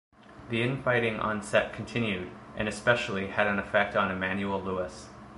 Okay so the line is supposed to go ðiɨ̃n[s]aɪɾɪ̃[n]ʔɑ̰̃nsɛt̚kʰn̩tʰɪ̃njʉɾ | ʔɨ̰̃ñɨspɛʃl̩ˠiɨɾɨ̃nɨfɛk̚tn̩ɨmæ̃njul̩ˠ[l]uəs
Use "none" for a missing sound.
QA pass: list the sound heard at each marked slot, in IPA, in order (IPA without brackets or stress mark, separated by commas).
f, ŋ, l